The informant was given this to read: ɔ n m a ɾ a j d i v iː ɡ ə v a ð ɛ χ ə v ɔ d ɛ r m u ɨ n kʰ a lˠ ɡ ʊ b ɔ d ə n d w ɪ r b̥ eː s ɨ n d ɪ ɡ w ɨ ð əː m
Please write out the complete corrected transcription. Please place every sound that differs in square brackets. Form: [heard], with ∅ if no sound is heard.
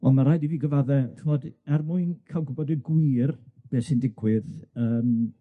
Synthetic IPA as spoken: ɔ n m a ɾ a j d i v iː ɡ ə v a ð ɛ χ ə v ɔ d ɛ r m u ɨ n kʰ a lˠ ɡ ʊ b ɔ d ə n [ɡ] w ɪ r b̥ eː s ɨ n d ɪ ɡ w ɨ ð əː m